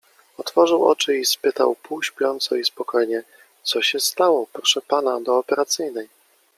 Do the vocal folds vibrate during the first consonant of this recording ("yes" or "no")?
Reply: no